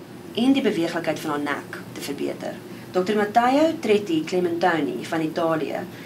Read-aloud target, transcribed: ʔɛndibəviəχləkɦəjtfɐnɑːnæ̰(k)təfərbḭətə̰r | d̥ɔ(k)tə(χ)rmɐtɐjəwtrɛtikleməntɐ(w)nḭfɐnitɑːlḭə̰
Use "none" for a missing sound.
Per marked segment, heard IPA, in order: k, k, none, w

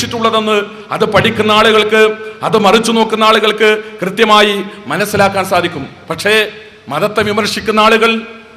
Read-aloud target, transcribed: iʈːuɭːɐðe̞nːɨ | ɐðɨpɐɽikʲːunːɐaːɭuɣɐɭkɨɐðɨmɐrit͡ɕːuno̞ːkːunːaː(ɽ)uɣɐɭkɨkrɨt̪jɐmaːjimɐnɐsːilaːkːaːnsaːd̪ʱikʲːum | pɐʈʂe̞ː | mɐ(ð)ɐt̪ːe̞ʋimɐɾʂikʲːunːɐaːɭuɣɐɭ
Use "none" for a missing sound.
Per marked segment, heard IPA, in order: ɭ, ð

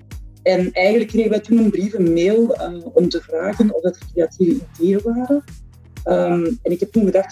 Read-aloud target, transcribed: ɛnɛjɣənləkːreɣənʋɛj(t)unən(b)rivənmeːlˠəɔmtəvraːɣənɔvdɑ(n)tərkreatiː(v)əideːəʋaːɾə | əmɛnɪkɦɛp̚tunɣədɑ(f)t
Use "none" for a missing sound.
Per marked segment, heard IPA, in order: t, b, none, v, x

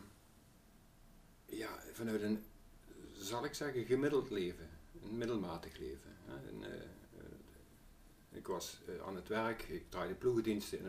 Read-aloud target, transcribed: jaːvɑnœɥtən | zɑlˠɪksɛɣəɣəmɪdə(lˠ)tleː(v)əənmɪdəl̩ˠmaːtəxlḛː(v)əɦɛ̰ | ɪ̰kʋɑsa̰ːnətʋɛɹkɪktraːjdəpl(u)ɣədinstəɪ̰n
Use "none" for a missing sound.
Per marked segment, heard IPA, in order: lˠ, v, v, u

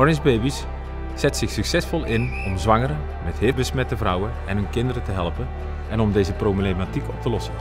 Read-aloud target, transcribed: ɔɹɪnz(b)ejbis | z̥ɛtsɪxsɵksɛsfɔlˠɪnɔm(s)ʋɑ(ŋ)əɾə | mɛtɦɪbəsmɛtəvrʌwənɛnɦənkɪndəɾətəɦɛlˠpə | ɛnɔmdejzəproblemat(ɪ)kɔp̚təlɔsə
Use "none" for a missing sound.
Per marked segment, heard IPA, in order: b, z, ŋ, i

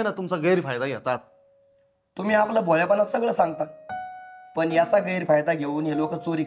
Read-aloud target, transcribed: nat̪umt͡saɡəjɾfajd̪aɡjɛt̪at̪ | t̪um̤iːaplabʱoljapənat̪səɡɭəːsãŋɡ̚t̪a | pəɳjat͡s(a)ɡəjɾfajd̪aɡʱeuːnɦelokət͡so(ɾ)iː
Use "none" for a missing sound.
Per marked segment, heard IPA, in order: a, ɾ

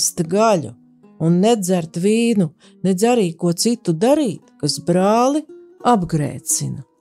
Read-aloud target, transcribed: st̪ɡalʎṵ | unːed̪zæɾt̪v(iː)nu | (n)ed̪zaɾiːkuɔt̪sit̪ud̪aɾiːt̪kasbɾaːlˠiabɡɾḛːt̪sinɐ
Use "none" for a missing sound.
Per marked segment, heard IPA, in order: iː, n

